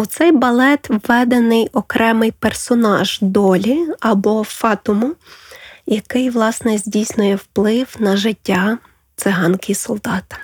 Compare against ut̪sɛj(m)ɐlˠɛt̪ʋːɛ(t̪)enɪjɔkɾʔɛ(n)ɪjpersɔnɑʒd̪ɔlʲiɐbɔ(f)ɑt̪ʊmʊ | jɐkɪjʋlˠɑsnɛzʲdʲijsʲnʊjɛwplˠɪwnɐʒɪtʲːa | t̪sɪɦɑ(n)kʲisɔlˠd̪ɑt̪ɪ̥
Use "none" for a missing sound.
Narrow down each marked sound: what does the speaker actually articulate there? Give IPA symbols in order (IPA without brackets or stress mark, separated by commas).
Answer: b, d̪, m, f, n